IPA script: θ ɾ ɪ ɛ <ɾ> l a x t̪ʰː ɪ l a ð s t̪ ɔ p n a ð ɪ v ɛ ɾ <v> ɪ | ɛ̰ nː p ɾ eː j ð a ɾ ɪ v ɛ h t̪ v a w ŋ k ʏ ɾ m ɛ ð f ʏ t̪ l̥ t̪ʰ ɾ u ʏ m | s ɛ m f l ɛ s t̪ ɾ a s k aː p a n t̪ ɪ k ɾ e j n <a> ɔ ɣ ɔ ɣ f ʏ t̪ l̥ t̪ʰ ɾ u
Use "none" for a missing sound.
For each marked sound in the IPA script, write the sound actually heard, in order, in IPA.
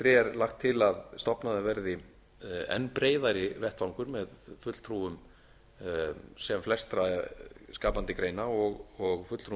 ɾ, ð, a

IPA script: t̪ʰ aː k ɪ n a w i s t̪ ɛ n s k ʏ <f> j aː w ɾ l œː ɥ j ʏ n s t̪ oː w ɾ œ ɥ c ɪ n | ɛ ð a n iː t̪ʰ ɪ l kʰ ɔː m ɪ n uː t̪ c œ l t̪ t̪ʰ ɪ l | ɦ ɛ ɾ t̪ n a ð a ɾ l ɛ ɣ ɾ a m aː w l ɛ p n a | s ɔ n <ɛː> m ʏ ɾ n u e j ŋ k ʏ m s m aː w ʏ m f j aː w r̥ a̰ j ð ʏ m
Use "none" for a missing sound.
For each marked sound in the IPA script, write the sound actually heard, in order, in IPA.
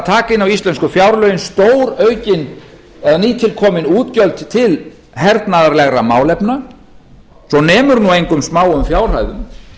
f, ɛː

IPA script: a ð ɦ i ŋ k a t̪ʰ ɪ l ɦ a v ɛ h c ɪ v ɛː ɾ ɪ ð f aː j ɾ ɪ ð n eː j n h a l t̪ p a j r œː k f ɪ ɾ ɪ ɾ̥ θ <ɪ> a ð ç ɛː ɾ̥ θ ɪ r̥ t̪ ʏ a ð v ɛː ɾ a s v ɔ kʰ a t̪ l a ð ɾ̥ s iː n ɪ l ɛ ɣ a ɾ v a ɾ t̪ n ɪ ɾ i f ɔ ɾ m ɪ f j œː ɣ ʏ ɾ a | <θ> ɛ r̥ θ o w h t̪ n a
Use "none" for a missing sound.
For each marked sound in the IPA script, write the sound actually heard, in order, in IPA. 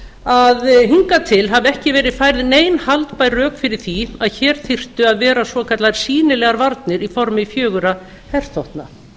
i, h

